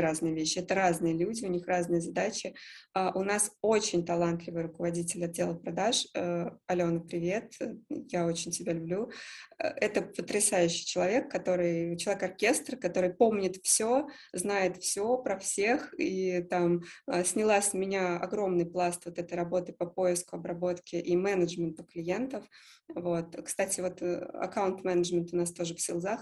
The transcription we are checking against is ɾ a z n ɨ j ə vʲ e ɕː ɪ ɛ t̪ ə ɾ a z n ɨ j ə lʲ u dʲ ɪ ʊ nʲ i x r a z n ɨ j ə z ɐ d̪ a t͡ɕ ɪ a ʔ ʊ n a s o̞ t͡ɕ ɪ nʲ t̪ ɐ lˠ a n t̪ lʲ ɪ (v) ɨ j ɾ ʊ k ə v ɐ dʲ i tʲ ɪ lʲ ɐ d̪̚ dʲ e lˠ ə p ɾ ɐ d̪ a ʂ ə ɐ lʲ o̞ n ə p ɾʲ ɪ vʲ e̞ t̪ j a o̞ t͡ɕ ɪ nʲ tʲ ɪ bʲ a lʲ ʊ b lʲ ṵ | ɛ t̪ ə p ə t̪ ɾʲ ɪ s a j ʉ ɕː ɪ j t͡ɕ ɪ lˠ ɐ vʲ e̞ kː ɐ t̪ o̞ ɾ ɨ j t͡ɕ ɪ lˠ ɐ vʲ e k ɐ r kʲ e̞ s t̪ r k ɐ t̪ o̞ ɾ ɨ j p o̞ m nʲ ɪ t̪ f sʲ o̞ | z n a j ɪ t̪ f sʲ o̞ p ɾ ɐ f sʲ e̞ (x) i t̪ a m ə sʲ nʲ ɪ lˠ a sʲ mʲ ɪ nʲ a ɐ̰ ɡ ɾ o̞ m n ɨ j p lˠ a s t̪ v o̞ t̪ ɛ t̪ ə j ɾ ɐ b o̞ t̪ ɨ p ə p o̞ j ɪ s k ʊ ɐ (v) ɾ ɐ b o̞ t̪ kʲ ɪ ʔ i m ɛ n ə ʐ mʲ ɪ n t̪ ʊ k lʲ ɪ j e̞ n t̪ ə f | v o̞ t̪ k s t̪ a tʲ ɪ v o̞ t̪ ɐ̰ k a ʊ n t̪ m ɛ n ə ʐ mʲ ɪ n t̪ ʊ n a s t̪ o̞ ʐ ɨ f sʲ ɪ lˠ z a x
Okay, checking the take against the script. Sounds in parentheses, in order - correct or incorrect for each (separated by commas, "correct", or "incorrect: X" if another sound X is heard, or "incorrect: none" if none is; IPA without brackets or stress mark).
correct, correct, incorrect: b